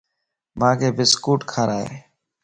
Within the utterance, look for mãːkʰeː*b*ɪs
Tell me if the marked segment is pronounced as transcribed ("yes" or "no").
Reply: yes